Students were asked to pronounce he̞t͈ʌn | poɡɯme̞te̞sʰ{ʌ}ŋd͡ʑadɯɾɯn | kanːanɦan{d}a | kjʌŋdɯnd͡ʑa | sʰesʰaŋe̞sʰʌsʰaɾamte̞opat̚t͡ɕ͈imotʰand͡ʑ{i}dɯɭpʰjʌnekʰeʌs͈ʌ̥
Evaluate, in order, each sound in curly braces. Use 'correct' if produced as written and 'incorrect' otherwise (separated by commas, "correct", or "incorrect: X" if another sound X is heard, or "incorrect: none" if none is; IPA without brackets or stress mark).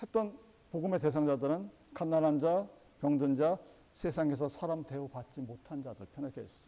incorrect: a, incorrect: d͡ʑ, incorrect: a